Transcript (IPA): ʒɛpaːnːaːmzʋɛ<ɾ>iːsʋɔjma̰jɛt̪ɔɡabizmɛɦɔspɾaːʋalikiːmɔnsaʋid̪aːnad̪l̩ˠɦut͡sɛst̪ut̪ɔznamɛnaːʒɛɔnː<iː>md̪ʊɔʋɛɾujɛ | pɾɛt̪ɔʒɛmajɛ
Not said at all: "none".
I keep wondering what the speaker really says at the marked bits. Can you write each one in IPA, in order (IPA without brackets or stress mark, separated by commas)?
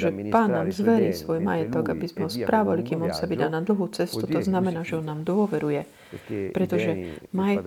ɾ, aː